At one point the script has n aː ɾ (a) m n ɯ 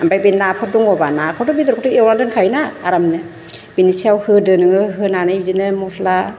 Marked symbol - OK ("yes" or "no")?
yes